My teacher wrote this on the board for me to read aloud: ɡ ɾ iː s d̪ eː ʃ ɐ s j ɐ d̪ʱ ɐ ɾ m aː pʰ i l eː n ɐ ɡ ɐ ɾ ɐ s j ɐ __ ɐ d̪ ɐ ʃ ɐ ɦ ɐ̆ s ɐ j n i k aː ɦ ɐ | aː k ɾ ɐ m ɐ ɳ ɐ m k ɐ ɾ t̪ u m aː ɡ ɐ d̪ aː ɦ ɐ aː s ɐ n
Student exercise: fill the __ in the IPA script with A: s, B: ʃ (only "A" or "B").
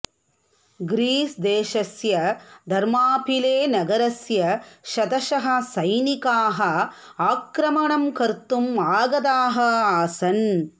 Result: B